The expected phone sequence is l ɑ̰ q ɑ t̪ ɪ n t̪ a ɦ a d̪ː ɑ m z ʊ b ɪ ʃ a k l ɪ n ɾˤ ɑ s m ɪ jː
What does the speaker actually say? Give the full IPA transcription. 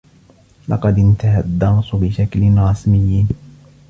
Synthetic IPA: l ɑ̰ q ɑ d̪ ɪ n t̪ a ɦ a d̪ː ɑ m s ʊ b ɪ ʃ a k l ɪ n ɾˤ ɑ s m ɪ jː

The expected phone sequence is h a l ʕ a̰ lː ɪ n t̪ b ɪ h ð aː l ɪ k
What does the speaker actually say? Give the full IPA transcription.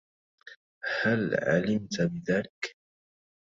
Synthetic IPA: h a l ʕ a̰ l ɪ m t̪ b ɪ ð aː l ɪ k

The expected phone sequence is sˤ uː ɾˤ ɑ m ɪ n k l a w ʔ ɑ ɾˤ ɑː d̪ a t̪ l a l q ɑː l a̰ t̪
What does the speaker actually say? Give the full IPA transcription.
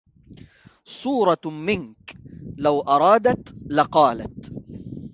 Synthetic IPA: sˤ uː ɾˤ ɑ m ɪ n k l a w ʔ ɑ ɾˤ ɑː d̪ a t̪ l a q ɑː l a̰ t̪

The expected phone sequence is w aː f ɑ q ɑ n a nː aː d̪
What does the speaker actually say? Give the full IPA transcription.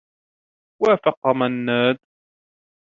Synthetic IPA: w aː f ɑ q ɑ m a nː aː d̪

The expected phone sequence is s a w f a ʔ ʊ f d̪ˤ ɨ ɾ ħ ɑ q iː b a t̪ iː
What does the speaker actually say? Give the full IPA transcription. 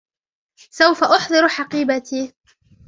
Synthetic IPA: s a w f a ʔ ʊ ħ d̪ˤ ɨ ɾ ħ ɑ q iː b a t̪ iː

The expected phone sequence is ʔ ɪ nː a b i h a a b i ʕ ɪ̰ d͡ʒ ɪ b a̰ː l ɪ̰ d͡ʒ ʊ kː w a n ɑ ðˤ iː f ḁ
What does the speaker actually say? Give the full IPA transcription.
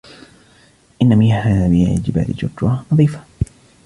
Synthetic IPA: ʔ ɪ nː a m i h a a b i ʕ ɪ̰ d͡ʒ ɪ b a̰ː l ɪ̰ d͡ʒ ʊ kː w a n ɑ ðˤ iː f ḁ

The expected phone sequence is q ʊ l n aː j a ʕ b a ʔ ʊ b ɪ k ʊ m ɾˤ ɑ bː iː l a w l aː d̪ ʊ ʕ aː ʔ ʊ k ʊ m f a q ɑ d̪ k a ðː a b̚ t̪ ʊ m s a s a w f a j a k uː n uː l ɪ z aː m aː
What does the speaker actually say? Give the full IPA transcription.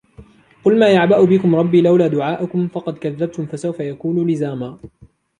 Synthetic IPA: q ʊ l m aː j a ʕ b a ʔ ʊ b ɪ k ʊ m ɾˤ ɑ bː iː l a w l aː d̪ ʊ ʕ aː ʔ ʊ k ʊ m f ɑ q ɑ d̪ k a ðː a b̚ t̪ ʊ m f a s a w f a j a k uː n uː l ɪ z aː m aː

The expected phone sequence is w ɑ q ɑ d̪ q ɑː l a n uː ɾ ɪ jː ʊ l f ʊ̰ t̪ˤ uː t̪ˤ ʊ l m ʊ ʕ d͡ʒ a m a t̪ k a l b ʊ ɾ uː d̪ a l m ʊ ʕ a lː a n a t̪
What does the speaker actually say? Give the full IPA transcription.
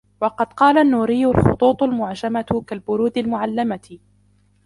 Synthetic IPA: w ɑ q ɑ d̪ q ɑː l a nː uː ɾ ɪ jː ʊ l x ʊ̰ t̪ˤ uː t̪ˤ ʊ l m ʊ ʕ d͡ʒ a m a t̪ k a l b ʊ ɾ uː d̪ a l m ʊ ʕ a lː a m a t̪

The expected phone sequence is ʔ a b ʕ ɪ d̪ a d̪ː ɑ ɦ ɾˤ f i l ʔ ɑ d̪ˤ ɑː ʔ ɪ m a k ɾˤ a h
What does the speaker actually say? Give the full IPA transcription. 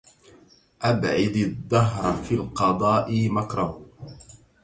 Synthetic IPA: ʔ a b ʕ ɪ d̪ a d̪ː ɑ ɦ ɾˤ f i l q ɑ d̪ˤ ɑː ʔ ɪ m a k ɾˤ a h

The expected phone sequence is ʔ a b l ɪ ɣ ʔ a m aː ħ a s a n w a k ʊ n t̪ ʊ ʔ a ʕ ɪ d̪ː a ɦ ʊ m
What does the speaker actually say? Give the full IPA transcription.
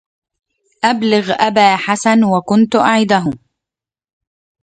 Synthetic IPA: ʔ a b l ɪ ɣ ʔ a b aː ħ a s a n w a k ʊ n t̪ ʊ ʔ a ʕ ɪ d̪ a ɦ ʊ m

